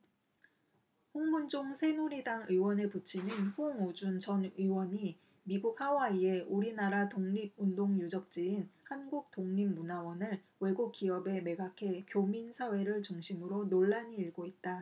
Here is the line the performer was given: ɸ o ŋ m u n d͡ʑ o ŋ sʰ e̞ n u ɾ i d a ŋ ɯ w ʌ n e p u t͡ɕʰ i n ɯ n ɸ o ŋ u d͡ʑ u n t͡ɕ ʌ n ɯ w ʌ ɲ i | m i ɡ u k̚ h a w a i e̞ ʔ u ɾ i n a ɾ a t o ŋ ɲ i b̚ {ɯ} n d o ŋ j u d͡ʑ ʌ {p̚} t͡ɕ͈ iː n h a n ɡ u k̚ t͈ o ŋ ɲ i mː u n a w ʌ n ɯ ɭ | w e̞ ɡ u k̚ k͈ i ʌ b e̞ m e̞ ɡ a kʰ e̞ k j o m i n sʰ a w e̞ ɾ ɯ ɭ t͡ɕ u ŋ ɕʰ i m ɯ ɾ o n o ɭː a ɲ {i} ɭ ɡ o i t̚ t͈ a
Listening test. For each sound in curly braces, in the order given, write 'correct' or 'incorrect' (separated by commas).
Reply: incorrect, incorrect, incorrect